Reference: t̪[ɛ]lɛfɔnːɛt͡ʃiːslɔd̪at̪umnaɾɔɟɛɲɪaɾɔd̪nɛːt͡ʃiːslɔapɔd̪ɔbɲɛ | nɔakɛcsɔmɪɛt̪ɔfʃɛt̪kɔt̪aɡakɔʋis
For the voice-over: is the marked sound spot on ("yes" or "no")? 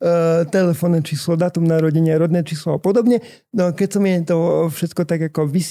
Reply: yes